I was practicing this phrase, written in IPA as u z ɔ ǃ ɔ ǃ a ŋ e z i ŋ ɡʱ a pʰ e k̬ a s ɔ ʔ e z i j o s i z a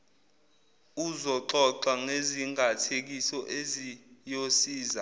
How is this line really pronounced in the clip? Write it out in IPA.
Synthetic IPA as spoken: u z ɔ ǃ ɔ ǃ a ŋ e z i ŋ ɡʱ a tʰ e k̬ i s ɔ ʔ e z i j o s iː z a